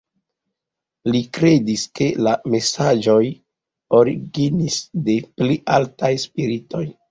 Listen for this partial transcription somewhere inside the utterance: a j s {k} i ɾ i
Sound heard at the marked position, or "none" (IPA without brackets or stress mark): p